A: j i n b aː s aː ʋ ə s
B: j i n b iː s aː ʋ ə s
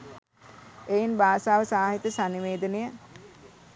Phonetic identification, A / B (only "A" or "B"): A